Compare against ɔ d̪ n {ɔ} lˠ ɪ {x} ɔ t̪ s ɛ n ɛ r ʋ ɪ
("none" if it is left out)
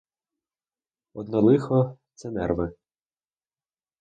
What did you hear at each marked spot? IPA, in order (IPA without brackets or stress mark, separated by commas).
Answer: ɔ, x